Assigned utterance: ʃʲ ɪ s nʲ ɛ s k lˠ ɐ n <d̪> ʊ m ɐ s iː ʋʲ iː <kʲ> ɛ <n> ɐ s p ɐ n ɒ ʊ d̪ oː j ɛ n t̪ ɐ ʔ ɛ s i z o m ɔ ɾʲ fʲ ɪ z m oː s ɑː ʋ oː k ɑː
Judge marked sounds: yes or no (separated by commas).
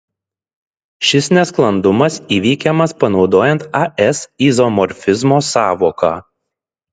yes, yes, no